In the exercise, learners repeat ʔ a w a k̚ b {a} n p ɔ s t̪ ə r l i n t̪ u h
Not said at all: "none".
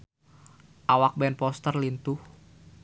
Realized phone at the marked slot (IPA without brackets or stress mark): ɛ